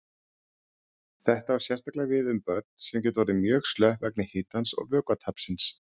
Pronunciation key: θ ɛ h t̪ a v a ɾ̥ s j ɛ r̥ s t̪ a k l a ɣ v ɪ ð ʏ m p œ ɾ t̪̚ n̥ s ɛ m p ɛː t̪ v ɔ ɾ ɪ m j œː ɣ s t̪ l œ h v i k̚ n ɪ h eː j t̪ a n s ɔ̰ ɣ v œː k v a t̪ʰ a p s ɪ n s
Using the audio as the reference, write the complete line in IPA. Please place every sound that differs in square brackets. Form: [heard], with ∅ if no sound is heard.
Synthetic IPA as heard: θ ɛ h t̪ a v a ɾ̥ s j ɛ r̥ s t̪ a k l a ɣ v ɪ ð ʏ m p œ ɾ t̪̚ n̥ s ɛ m [c] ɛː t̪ v ɔ ɾ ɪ m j œː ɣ s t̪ l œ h v [ɛ] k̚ n ɪ h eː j t̪ a n s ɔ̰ ɣ v œː k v a t̪ʰ a p s ɪ n s